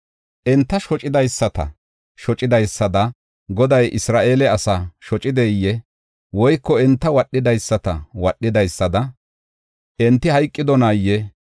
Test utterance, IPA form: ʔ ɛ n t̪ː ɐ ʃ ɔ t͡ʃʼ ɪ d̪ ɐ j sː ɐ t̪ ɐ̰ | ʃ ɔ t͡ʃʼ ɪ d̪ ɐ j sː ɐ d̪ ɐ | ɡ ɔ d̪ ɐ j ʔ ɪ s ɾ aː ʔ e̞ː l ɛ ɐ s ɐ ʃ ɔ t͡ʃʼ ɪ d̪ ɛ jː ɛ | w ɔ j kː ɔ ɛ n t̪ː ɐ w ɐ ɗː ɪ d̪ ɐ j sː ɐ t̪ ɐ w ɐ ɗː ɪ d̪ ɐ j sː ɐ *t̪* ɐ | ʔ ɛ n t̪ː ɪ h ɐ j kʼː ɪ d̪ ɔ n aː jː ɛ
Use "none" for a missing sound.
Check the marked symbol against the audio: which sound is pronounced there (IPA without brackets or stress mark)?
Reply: d̪